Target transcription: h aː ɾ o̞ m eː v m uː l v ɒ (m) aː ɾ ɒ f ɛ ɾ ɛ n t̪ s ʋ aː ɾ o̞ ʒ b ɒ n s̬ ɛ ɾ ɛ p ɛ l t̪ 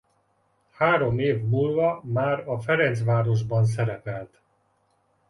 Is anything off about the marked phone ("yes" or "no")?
no